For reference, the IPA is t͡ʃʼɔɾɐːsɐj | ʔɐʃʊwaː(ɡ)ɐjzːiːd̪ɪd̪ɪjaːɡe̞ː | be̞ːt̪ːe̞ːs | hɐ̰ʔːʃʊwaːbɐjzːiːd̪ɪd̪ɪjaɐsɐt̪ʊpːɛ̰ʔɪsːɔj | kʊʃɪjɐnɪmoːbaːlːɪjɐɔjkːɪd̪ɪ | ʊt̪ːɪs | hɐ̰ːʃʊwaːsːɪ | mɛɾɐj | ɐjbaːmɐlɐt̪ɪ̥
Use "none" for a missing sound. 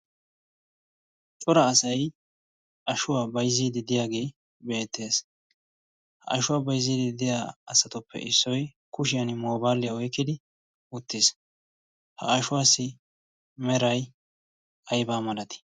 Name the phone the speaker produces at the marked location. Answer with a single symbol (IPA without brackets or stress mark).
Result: b